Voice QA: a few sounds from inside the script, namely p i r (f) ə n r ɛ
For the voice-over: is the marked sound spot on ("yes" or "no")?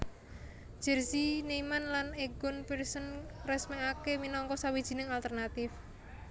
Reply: no